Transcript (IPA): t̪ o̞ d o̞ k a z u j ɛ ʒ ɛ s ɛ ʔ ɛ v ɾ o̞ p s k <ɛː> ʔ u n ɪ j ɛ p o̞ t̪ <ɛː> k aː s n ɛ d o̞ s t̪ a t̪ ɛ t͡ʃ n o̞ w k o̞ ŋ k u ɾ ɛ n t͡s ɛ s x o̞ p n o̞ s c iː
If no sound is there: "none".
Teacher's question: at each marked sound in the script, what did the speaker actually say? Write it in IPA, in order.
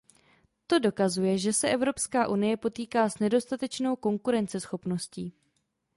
aː, iː

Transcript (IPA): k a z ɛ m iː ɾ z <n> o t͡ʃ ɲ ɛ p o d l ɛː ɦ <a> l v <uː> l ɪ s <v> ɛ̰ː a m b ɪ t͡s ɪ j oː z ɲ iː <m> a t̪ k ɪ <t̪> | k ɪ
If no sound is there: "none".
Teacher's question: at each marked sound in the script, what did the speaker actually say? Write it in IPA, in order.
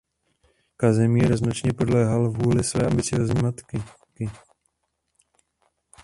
n, a, uː, v, m, none

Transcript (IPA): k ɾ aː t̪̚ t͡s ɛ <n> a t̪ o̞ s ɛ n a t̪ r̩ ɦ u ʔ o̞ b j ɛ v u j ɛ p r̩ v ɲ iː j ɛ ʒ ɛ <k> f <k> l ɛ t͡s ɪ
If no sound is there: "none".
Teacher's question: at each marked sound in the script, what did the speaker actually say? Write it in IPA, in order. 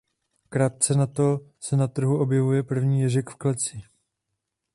n, k, k

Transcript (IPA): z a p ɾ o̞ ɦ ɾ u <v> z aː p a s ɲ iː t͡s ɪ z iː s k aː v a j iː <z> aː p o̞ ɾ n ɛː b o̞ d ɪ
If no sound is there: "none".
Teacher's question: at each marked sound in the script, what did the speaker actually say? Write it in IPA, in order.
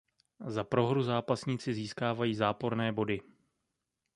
none, z

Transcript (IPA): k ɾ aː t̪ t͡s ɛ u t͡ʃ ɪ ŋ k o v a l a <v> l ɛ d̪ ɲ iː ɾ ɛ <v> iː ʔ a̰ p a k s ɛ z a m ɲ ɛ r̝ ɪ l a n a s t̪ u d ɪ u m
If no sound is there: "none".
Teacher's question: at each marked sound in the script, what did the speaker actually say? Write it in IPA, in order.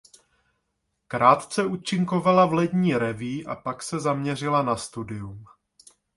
v, v

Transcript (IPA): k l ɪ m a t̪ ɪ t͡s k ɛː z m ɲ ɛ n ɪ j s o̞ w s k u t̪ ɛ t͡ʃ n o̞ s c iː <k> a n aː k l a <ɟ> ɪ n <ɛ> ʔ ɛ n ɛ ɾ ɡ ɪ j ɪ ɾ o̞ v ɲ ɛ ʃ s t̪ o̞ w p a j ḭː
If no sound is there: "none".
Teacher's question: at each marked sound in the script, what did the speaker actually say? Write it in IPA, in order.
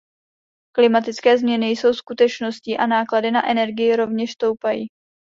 ʔ, d, a

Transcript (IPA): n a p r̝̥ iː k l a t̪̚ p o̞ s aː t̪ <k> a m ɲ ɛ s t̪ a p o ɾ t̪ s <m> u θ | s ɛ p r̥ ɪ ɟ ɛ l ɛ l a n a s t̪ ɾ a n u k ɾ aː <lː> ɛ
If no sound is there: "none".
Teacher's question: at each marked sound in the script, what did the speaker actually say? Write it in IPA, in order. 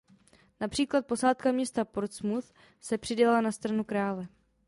k, m, l

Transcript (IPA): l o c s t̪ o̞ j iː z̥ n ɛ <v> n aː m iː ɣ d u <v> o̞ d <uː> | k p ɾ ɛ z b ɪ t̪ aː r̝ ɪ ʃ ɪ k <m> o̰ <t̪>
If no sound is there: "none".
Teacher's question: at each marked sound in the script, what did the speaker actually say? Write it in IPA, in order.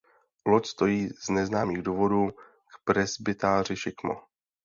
z, v, uː, m, none

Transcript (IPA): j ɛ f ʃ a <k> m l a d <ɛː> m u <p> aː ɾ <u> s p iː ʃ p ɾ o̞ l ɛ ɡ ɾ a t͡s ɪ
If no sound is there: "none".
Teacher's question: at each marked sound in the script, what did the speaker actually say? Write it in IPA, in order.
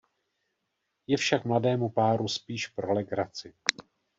k, ɛː, p, u

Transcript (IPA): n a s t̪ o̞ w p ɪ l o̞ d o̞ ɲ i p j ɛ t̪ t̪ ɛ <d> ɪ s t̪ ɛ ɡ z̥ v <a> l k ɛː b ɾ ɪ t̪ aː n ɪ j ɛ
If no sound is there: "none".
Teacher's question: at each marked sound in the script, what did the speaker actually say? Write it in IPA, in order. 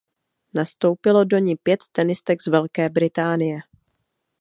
n, ɛ

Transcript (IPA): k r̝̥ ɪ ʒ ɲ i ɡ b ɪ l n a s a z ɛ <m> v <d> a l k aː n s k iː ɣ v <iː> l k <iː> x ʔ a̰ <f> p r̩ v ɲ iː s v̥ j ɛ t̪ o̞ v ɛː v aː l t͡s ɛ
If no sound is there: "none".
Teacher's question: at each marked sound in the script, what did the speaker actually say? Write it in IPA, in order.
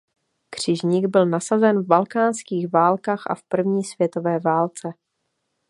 n, b, aː, aː, f

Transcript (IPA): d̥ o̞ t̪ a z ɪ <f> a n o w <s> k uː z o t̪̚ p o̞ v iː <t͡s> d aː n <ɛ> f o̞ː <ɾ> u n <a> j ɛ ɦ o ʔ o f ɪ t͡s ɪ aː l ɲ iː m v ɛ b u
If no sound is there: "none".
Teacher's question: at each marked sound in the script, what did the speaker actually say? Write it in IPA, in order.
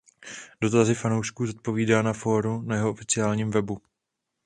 f, ʃ, none, a, ɾ, a

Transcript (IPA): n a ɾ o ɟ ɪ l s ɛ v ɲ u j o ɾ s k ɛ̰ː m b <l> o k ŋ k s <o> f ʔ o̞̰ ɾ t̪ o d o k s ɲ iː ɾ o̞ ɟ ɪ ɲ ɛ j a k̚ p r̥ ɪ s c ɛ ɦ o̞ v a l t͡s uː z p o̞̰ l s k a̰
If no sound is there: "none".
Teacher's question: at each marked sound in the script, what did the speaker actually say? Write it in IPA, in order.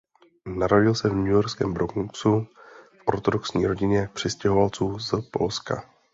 ɾ, u

